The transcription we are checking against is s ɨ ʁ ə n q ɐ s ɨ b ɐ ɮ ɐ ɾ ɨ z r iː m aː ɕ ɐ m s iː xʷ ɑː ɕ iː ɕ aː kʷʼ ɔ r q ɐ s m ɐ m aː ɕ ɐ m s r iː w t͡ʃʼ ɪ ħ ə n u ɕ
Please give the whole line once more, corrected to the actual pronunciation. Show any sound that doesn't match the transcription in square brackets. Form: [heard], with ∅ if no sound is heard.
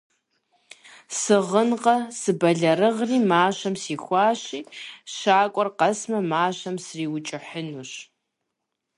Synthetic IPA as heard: s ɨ ʁ ə n q ɐ s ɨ b ɐ ɮ ɐ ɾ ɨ [ʁ] r iː m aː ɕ ɐ m s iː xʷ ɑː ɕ iː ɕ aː kʷʼ ɔ r q ɐ s m ɐ m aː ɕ ɐ m s r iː w t͡ʃʼ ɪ ħ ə n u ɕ